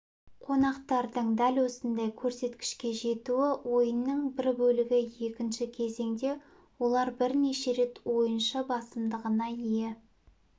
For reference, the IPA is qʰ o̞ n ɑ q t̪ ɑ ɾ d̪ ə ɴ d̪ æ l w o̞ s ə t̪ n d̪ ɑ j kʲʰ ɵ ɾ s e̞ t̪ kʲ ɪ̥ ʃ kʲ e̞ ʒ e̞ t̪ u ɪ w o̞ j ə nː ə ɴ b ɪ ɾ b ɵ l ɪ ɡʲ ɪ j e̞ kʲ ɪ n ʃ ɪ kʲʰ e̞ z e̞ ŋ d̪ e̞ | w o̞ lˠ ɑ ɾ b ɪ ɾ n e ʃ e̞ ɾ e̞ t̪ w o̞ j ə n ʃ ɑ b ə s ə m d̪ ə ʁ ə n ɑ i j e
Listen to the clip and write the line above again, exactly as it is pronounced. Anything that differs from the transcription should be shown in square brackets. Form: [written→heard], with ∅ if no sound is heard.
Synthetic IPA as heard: qʰ o̞ n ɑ q t̪ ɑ ɾ d̪ ə ɴ d̪ æ l w o̞ s ə [t̪→∅] n d̪ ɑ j kʲʰ ɵ ɾ s e̞ t̪ kʲ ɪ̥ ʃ kʲ e̞ ʒ e̞ t̪ u ɪ w o̞ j ə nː ə ɴ b ɪ ɾ b ɵ l ɪ ɡʲ ɪ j e̞ kʲ ɪ n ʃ ɪ kʲʰ e̞ z e̞ ŋ d̪ e̞ | w o̞ lˠ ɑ ɾ b ɪ ɾ n e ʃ e̞ ɾ e̞ t̪ w o̞ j ə n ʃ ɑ b [ə→ɑ] s ə m d̪ ə ʁ ə n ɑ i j e